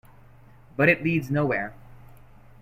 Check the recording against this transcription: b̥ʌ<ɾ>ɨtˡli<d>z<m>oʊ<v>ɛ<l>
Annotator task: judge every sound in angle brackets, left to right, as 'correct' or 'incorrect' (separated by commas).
correct, correct, incorrect, incorrect, incorrect